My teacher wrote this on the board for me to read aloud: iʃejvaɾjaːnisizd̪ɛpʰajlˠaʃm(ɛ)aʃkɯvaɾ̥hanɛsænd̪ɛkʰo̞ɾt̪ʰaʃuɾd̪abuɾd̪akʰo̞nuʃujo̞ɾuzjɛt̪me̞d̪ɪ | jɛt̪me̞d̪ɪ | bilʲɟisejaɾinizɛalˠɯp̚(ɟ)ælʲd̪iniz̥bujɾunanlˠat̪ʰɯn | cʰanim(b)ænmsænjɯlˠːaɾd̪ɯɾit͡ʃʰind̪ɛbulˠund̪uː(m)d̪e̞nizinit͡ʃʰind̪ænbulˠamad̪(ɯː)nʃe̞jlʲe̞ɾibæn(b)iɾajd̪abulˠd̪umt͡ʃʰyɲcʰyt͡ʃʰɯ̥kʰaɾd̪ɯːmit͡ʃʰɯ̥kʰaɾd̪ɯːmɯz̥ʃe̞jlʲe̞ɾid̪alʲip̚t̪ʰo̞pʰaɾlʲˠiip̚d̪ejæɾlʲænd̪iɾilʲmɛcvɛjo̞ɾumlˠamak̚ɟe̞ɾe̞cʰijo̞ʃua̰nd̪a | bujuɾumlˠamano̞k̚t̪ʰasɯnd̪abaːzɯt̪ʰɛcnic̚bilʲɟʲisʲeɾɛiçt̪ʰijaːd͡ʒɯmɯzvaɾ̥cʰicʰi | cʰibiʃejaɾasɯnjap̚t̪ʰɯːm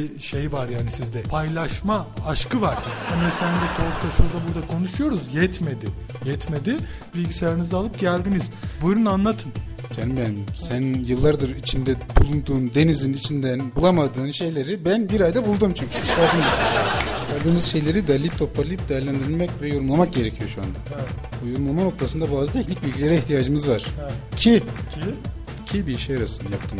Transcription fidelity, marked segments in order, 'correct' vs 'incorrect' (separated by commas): incorrect, correct, correct, incorrect, correct, correct